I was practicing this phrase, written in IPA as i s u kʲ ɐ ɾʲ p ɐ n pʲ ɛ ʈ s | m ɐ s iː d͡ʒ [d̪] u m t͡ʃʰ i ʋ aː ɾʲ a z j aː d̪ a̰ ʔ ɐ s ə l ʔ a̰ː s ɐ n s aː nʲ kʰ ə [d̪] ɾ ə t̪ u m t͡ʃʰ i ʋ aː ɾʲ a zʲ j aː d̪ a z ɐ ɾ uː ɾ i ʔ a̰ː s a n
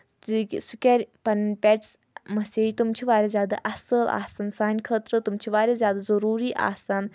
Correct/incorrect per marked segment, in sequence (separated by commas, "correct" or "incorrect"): incorrect, incorrect